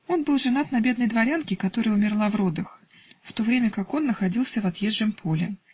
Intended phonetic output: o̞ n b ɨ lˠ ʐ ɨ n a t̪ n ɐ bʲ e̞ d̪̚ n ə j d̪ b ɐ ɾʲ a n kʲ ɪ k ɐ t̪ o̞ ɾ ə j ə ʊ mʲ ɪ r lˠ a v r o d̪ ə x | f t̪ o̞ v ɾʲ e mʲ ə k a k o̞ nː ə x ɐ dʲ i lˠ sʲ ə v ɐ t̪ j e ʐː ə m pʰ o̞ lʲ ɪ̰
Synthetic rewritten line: o̞ n b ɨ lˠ ʐ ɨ n a t̪ n ɐ bʲ e̞ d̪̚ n ə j d̪ v ɐ ɾʲ a n kʲ ɪ k ɐ t̪ o̞ ɾ ə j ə ʊ mʲ ɪ r lˠ a v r o d̪ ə x | f t̪ o̞ v ɾʲ e mʲ ə k a k o̞ nː ə x ɐ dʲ i lˠ sʲ ə v ɐ t̪ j e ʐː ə m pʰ o̞ lʲ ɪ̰